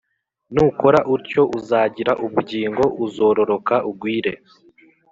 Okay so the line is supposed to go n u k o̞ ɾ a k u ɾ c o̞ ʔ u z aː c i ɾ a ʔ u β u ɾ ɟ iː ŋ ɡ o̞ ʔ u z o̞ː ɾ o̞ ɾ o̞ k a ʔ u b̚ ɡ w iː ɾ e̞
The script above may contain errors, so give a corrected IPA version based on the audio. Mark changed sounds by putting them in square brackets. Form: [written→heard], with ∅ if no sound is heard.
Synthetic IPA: n u k o̞ ɾ a [k→ʔ] u ɾ c o̞ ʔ u z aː [c→ɟ] i ɾ a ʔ u β u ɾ ɟ iː ŋ ɡ o̞ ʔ u z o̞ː ɾ o̞ ɾ o̞ k a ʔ u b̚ ɡ w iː ɾ e̞